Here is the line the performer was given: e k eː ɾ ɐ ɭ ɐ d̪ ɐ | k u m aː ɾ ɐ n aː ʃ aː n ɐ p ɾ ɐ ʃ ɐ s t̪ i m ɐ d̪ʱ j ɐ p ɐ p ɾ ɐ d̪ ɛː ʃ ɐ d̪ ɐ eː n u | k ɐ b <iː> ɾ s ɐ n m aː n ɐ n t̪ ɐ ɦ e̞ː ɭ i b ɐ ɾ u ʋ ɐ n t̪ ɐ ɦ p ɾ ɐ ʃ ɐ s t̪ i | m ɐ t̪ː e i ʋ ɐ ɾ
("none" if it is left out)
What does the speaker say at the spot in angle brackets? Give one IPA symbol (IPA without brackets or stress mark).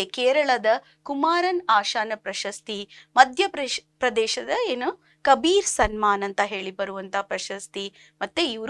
iː